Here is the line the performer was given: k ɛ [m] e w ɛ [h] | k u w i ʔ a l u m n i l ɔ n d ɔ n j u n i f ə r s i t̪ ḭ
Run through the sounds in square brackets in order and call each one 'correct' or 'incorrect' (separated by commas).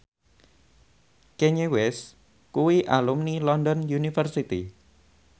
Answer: incorrect, incorrect